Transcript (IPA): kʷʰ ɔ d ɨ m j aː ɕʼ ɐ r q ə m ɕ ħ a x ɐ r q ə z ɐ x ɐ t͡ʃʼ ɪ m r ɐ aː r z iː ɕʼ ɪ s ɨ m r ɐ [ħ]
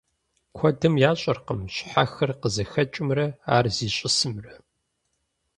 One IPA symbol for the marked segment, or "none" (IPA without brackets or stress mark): none